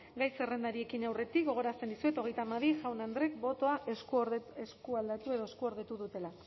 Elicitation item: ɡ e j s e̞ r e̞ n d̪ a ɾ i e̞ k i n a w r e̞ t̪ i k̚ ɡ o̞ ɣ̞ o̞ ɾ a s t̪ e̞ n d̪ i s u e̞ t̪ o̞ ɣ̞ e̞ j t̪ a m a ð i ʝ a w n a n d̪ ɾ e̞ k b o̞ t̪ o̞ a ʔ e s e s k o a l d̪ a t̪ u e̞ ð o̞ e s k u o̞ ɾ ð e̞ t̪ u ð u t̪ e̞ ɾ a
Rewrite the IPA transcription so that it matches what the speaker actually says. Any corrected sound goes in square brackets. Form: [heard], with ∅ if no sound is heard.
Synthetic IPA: ɡ [a] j s e̞ r e̞ n d̪ a ɾ i e̞ k i n a w r e̞ t̪ i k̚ ɡ o̞ ɣ̞ o̞ ɾ a s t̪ e̞ n d̪ i s u e̞ t̪ o̞ ɣ̞ e̞ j t̪ a m a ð i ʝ a w n a n d̪ ɾ e̞ k b o̞ t̪ o̞ a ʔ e s e s k [u] a l d̪ a t̪ u e̞ ð o̞ e s k u o̞ ɾ ð e̞ t̪ u ð u t̪ e̞ [l] a